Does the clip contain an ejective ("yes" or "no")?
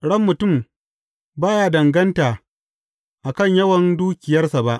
no